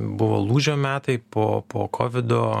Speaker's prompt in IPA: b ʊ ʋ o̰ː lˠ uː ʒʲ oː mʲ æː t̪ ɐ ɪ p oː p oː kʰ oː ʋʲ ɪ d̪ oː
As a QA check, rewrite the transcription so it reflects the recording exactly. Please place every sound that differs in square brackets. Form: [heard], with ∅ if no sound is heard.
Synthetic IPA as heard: b ʊ ʋ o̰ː lˠ uː ʒʲ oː mʲ æː t̪ ɐ ɪ p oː p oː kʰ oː ʋʲ ɪ d̪ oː